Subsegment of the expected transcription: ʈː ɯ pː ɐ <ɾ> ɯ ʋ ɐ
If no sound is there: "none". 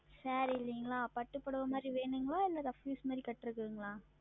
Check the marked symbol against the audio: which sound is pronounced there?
ɽ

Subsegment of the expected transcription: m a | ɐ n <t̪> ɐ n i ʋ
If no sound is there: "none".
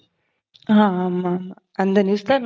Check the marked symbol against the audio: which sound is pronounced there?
d̪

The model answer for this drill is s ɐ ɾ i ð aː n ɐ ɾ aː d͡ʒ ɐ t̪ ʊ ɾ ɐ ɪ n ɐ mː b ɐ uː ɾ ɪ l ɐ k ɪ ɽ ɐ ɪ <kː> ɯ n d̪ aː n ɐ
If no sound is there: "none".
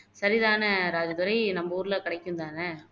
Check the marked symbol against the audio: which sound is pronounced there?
kː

